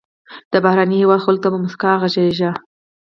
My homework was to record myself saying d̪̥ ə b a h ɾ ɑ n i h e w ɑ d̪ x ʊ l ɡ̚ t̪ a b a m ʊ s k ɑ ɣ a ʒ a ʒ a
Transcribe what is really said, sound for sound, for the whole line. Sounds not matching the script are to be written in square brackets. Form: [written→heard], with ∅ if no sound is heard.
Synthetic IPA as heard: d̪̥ ə b a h ɾ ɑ n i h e w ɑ d̪ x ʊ l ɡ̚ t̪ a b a m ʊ s k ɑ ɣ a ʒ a ʒ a